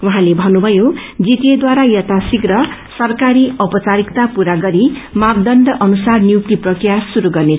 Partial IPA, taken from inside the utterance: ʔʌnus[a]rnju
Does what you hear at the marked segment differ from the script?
no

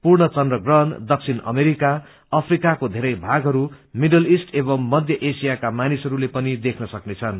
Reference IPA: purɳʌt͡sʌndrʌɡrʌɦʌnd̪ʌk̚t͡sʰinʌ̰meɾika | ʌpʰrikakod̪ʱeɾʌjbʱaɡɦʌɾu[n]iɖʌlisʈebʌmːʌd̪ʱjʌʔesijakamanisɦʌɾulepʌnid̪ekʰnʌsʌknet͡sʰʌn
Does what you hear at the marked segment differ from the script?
yes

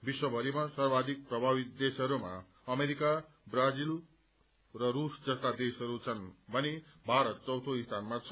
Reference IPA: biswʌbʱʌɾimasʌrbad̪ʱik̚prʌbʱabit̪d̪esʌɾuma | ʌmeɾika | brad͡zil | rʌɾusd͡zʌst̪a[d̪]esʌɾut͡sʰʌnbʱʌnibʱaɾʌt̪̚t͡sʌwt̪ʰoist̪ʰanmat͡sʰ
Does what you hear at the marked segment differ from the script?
no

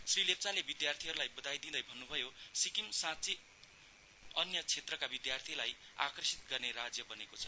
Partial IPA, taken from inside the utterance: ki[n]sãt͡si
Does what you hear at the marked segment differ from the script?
yes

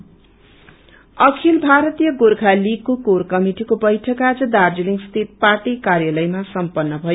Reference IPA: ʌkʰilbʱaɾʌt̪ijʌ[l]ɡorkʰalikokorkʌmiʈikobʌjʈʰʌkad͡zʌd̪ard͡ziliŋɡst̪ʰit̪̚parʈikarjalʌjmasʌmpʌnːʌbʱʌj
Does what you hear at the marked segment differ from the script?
yes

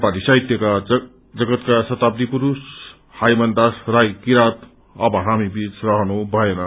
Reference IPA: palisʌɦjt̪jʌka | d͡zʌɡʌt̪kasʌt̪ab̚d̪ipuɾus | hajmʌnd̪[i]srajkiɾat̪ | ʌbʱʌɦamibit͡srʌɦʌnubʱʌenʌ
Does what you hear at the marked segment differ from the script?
yes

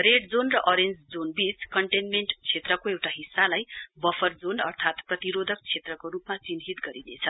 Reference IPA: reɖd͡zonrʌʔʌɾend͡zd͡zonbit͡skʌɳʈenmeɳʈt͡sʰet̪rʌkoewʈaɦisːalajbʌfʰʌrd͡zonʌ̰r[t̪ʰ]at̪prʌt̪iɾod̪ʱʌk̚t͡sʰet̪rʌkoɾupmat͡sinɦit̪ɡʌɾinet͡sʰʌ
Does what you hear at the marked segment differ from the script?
no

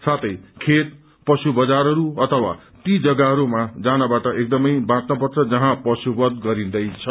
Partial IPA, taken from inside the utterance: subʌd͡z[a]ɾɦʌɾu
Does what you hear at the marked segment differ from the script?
no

